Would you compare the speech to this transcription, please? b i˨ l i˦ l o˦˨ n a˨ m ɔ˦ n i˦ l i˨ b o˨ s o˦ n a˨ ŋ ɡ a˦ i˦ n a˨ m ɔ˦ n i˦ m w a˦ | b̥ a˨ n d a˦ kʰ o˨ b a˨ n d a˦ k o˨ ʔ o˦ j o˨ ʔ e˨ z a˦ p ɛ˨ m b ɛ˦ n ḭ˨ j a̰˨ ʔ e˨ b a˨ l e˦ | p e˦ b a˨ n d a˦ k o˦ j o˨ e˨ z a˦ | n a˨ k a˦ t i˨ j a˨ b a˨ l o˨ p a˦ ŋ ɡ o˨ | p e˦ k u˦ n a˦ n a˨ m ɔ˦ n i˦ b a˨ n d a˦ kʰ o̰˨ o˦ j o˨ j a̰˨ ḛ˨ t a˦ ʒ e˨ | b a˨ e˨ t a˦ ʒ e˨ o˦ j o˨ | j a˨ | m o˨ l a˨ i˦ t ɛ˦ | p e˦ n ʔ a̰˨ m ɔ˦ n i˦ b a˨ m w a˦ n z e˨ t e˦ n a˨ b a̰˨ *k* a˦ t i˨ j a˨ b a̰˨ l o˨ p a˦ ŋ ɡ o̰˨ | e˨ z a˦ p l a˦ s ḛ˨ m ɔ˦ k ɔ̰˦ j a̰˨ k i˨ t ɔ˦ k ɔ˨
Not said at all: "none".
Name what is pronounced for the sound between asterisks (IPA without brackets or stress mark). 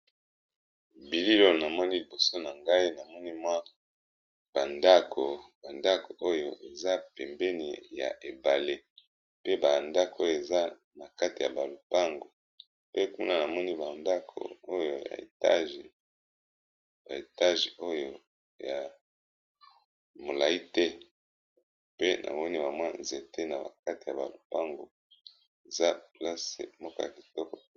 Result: k